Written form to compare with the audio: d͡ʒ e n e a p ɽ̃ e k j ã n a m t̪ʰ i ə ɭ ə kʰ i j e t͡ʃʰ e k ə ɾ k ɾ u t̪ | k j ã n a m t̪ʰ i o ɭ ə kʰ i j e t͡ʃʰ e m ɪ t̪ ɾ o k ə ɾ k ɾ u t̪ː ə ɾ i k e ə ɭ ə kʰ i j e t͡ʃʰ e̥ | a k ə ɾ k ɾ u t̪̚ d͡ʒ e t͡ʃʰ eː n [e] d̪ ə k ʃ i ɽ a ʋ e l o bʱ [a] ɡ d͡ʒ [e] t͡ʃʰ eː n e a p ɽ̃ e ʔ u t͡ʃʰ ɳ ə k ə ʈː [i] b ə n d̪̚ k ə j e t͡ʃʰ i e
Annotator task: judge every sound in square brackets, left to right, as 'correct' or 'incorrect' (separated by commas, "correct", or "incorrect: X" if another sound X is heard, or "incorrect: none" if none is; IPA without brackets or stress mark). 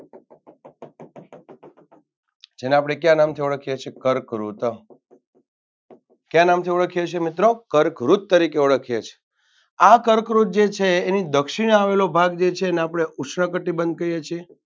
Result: incorrect: i, correct, correct, correct